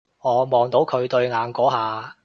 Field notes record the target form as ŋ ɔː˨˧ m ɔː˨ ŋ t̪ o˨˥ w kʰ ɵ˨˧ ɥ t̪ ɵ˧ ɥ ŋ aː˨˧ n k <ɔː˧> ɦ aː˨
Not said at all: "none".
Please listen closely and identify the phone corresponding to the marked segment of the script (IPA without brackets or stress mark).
ɔː˨˥